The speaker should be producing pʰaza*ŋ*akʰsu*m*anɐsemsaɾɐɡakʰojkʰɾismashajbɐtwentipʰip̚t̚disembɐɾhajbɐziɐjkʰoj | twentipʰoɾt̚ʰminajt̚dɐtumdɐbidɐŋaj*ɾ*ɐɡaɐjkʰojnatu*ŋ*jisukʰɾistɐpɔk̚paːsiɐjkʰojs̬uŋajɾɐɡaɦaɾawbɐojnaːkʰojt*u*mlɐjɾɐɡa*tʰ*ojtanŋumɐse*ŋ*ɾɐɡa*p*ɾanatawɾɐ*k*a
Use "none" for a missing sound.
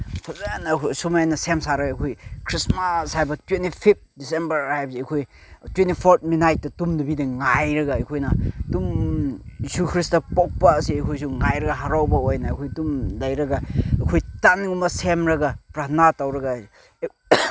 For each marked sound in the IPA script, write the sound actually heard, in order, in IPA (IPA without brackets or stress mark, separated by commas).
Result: n, m, ɾ, m, u, kʰ, m, p, ɡ